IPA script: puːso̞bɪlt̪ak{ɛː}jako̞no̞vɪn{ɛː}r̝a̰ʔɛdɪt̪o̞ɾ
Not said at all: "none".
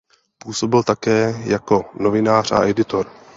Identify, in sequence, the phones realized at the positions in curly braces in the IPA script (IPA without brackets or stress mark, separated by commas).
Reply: ɛː, aː